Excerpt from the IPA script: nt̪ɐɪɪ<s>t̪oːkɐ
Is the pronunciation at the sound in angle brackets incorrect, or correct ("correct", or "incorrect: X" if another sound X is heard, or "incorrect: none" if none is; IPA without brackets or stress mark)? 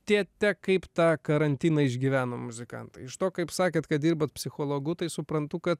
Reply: incorrect: ʃ